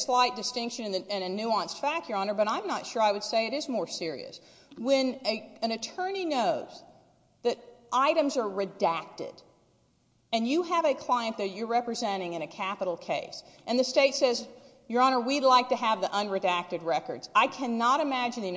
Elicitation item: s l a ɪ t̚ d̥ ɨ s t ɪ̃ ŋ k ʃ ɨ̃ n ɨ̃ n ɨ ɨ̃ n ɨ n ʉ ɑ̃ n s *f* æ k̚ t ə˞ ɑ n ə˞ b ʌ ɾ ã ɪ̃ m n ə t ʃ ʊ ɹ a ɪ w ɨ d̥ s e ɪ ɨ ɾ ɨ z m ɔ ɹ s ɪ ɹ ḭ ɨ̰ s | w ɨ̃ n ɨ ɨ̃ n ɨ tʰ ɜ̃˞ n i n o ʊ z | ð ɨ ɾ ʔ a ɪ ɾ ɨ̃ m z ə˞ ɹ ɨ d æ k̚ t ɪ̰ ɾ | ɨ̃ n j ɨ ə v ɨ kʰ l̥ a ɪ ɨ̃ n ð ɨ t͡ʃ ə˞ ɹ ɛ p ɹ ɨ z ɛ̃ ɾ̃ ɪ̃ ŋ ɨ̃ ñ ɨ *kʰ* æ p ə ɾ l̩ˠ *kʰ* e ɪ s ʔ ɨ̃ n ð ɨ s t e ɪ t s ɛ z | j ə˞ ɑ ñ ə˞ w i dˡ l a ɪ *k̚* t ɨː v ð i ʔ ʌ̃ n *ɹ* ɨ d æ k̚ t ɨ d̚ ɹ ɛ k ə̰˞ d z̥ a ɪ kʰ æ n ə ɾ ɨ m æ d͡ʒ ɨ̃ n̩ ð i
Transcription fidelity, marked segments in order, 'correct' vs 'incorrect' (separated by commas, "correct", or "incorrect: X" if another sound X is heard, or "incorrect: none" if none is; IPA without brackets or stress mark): correct, correct, correct, correct, correct